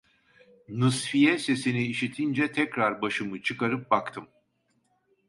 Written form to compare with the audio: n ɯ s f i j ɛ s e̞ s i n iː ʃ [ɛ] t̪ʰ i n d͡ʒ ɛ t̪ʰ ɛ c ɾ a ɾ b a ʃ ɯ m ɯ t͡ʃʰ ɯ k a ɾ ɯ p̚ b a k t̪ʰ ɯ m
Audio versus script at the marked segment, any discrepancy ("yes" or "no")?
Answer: yes